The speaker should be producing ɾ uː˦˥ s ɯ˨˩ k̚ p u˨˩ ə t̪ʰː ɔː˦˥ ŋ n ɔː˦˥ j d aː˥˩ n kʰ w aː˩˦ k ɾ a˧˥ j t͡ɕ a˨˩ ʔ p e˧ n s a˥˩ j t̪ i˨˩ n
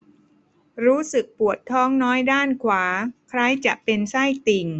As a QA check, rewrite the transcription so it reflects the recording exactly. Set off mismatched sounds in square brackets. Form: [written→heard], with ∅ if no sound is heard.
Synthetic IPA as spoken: ɾ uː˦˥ s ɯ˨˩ k̚ p u˨˩ ə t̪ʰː ɔː˦˥ ŋ n ɔː˦˥ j d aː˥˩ n kʰ w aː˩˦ [k→kʰ] ɾ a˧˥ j t͡ɕ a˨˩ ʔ p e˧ n s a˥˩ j t̪ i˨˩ [n→ŋ]